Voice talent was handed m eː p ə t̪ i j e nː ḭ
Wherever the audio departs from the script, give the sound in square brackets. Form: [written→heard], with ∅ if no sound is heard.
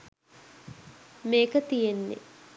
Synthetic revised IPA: m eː [p→k] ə t̪ i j e nː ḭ